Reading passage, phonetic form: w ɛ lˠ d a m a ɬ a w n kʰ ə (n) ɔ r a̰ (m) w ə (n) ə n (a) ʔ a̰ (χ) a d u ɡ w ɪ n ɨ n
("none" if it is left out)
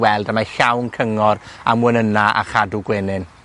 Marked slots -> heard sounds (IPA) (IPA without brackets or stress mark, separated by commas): ŋ, m, n, a, χ